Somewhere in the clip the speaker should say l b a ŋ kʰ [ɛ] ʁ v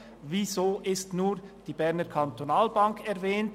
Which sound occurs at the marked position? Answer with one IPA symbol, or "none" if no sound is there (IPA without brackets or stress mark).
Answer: ɛ